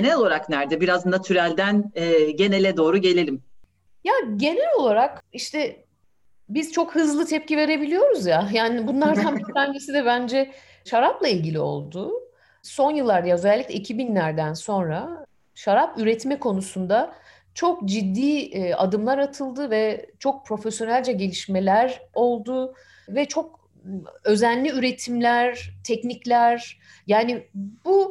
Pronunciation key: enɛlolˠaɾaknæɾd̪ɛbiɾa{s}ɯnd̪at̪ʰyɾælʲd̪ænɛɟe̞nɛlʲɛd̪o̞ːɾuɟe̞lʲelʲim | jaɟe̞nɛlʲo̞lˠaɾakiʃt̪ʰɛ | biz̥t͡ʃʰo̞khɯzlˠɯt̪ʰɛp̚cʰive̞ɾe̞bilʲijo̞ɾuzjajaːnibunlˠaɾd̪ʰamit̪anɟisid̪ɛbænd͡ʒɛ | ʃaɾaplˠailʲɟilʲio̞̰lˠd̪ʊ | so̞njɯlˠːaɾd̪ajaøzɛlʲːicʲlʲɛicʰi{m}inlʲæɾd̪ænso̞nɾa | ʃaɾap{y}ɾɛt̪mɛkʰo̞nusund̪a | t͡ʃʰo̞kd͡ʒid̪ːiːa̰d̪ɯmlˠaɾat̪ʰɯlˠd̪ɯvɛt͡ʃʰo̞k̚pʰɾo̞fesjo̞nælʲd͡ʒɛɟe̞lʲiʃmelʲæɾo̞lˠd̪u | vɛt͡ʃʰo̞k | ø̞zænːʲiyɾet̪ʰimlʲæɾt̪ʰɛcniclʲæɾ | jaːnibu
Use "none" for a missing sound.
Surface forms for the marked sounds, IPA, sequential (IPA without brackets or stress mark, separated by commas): z, b, y